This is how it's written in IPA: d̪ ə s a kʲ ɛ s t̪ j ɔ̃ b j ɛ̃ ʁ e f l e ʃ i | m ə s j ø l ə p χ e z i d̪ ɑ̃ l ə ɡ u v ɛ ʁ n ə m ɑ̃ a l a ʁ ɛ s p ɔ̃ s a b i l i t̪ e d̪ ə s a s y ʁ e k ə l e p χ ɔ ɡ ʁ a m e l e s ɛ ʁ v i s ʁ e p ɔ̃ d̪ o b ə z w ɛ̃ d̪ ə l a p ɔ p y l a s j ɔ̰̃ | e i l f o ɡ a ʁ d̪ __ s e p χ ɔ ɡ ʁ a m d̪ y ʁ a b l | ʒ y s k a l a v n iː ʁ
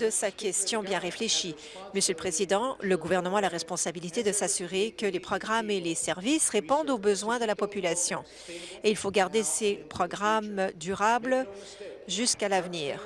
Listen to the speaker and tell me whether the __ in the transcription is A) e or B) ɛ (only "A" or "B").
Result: A